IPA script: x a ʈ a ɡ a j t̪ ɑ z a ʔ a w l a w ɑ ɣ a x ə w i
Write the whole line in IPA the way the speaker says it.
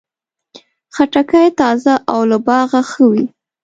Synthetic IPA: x a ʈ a k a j t̪ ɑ z a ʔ a w l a b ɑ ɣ a x ə w i